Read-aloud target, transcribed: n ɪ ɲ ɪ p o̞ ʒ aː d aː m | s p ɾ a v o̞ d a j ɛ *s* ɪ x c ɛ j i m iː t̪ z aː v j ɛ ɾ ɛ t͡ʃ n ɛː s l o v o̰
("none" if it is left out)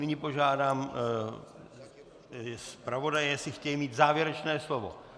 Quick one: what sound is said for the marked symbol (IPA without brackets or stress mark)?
s